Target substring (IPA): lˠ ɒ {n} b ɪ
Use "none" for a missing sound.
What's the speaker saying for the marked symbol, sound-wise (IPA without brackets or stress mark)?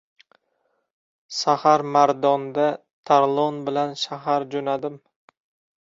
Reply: n